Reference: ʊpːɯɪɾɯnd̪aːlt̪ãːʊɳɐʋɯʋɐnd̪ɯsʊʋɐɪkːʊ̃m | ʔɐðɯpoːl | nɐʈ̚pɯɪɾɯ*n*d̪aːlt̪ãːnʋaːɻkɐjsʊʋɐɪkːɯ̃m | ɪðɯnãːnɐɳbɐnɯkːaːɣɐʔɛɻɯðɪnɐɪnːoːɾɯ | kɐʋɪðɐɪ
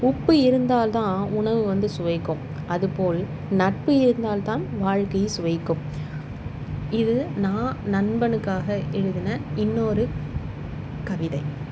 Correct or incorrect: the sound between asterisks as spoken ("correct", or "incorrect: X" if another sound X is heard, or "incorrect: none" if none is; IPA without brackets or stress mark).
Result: correct